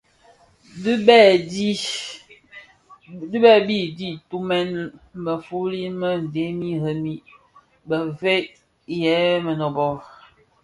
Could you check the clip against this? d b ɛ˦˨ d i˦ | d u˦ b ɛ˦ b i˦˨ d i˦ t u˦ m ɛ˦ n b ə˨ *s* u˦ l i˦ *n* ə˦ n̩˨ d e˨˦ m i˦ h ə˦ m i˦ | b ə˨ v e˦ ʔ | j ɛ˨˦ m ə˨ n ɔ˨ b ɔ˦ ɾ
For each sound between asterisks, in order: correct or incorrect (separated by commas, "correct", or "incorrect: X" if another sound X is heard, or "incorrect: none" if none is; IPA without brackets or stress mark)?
incorrect: f, incorrect: m